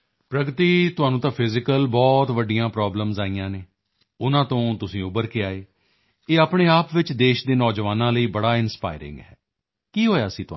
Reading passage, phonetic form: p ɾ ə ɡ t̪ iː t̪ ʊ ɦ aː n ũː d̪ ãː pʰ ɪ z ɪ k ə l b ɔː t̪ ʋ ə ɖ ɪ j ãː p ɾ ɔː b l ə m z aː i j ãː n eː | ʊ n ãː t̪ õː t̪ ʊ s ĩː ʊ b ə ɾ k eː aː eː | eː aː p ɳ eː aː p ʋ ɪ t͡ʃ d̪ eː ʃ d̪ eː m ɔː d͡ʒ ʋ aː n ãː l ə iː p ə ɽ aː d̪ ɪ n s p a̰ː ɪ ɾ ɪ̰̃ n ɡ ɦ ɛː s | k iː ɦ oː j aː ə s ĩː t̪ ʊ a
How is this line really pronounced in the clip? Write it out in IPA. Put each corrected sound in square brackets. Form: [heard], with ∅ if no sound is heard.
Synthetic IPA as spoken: p ɾ ə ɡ t̪ iː t̪ ʊ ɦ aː n ũː [t̪] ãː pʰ ɪ z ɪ k ə l b ɔː t̪ ʋ ə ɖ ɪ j ãː p ɾ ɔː b l ə m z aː i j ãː n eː | ʊ n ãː t̪ õː t̪ ʊ s ĩː ʊ b ə ɾ k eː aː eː | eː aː p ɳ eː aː p ʋ ɪ t͡ʃ d̪ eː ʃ d̪ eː [n] ɔː d͡ʒ ʋ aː n ãː l ə iː [b] ə ɽ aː [∅] ɪ n s p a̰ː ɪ ɾ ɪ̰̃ [ŋ] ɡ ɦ ɛː [∅] | k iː ɦ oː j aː ə s ĩː t̪ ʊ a